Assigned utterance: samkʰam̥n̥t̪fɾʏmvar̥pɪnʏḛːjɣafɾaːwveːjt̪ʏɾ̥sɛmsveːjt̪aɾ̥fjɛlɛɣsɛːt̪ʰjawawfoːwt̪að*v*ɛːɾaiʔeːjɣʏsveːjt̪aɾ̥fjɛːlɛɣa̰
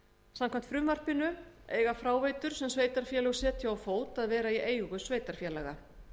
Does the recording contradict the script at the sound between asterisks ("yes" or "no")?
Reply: no